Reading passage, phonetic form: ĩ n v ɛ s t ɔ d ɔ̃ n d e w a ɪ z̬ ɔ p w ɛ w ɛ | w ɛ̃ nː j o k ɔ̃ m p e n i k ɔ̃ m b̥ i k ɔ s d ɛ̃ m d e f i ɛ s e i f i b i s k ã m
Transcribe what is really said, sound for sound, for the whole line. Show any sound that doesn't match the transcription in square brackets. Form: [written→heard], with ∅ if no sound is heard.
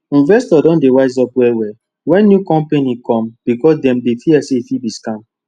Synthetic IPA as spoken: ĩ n v ɛ s t ɔ d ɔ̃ n d e w a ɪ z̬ ɔ p w ɛ w ɛ | w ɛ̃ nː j [o→u] k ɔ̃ m p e n i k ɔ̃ m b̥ i k ɔ s d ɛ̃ m d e f i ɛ s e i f i b i s k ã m